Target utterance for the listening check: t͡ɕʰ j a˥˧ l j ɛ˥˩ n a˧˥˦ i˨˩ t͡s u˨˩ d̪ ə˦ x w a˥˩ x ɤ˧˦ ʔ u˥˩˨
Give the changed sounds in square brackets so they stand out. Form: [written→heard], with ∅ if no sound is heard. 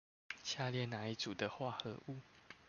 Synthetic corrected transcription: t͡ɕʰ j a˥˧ l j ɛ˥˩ n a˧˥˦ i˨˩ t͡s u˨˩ d̪ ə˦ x w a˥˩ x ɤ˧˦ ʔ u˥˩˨